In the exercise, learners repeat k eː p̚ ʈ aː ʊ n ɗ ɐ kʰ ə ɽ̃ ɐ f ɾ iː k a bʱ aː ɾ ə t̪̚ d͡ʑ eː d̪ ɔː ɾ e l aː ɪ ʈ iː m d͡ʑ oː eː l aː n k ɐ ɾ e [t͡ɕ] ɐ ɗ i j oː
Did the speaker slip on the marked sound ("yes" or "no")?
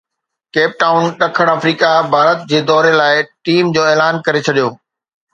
yes